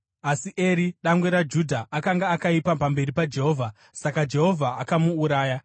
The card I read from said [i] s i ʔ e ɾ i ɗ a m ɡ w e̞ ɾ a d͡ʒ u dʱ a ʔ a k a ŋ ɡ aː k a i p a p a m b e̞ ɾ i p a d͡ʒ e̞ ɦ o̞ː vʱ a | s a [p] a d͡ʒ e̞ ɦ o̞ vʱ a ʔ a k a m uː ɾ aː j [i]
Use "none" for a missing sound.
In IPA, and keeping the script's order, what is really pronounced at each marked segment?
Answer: a, k, a

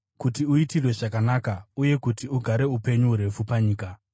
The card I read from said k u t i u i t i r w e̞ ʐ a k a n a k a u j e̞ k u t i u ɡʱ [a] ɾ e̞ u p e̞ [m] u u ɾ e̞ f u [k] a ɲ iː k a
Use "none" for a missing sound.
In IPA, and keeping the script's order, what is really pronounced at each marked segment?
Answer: a, ɲ, p

